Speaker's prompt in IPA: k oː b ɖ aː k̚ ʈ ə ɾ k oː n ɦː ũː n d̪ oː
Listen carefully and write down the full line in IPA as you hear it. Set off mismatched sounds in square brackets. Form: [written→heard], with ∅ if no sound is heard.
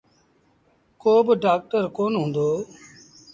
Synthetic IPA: k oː b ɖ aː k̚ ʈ ə ɾ k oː n [ɦː→ɦ] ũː n d̪ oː